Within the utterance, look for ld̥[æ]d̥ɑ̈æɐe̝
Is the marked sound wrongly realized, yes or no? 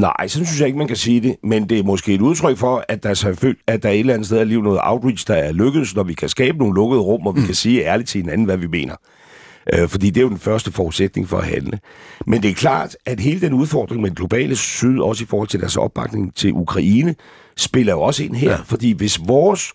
no